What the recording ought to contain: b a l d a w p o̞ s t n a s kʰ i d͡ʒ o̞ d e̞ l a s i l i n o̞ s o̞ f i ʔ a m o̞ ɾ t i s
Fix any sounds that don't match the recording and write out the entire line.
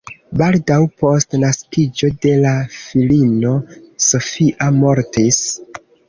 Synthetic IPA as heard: b a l d a w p o̞ s t n a s k i d͡ʒ o̞ d e̞ l a f i l i n o̞ s o̞ f i ʔ a m o̞ ɾ t i s